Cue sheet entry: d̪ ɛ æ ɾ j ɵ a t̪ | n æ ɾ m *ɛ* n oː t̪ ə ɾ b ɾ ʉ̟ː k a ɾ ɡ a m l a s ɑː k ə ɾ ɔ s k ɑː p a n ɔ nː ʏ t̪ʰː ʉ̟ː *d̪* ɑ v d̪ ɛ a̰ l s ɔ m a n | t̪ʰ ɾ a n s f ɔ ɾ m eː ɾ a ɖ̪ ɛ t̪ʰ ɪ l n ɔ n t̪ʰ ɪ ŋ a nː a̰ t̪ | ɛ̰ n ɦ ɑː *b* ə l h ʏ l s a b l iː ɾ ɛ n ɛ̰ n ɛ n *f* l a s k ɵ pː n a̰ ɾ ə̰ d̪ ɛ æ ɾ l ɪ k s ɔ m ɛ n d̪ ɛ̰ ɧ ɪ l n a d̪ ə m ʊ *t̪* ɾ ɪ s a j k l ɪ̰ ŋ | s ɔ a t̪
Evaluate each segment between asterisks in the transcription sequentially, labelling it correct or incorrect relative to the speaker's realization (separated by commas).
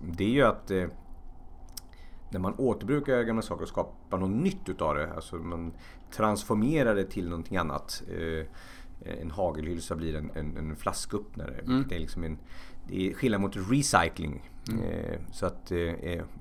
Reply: incorrect, incorrect, incorrect, correct, correct